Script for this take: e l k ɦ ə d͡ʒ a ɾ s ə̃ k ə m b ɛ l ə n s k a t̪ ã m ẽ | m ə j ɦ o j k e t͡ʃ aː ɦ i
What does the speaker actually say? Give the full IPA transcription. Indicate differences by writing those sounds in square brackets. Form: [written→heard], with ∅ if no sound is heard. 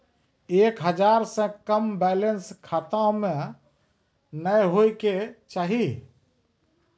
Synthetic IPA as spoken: e [l→∅] k ɦ ə d͡ʒ a ɾ s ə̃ k ə m b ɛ l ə n s [k→kʰ] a t̪ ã m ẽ | [m→n] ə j ɦ o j k e t͡ʃ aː ɦ i